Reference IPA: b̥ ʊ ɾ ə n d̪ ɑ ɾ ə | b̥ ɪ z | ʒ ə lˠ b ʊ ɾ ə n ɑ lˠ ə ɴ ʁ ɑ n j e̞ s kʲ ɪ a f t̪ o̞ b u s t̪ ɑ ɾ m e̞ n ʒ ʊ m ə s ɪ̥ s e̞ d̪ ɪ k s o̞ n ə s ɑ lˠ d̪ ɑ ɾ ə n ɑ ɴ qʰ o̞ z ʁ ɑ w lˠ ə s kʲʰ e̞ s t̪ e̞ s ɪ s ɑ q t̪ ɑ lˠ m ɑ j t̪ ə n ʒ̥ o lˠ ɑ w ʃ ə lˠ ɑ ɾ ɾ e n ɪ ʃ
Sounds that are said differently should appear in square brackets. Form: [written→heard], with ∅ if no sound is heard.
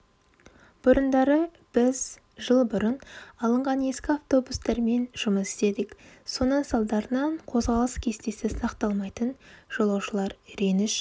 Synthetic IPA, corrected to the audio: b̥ ʊ ɾ ə n d̪ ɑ ɾ ə | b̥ ɪ z | ʒ ə lˠ b ʊ ɾ ə n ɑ lˠ ə ɴ ʁ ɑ n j e̞ s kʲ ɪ a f t̪ o̞ b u s t̪ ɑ ɾ m e̞ n ʒ ʊ m ə s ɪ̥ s e̞ d̪ ɪ k s o̞ n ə s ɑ lˠ d̪ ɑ ɾ ə n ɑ ɴ qʰ o̞ z ʁ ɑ [w→∅] lˠ ə s kʲʰ e̞ s t̪ e̞ s ɪ s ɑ q t̪ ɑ lˠ m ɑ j t̪ ə n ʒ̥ o lˠ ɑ w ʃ ə lˠ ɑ ɾ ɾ e n ɪ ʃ